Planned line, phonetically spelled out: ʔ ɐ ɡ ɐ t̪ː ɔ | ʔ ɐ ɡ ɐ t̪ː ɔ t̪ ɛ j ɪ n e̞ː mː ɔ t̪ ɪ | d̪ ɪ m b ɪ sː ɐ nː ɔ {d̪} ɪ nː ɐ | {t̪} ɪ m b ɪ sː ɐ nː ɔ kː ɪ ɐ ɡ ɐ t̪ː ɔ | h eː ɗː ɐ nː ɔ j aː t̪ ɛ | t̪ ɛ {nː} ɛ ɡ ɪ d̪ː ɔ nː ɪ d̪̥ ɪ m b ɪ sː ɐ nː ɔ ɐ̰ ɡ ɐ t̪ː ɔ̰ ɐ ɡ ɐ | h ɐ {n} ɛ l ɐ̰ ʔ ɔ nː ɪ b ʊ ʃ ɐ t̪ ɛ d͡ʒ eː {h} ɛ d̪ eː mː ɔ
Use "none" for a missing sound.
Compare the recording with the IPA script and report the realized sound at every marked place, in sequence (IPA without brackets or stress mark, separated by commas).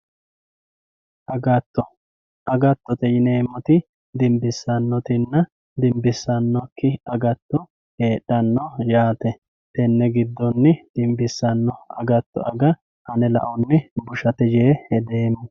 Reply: t̪, d̪, nː, n, h